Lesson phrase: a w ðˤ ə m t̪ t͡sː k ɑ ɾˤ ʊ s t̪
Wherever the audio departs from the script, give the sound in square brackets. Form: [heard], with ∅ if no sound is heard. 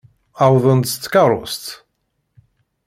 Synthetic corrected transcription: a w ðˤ ə [n] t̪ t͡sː k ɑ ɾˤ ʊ s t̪